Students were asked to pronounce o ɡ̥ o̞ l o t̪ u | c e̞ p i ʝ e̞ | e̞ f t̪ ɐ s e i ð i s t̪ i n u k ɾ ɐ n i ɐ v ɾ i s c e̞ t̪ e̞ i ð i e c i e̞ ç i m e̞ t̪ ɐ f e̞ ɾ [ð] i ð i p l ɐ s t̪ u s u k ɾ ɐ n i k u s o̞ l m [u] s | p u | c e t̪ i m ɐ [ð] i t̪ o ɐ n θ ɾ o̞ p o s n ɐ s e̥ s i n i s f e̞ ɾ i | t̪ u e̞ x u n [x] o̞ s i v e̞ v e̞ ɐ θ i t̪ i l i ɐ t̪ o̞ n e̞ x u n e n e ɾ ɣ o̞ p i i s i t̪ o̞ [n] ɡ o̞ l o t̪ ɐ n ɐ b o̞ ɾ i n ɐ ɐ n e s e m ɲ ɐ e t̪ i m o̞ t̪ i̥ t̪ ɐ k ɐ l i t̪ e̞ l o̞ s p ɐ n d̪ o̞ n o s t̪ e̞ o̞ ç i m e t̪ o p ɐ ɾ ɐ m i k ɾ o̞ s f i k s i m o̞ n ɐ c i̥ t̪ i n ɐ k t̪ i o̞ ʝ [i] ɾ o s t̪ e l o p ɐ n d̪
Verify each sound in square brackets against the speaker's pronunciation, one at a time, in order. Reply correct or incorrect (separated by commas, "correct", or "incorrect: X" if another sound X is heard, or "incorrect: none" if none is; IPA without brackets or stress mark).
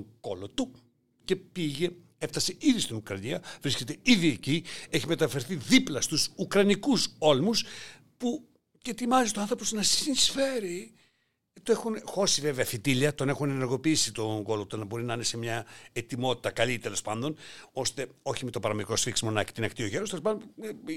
incorrect: θ, correct, incorrect: z, correct, incorrect: ŋ, incorrect: e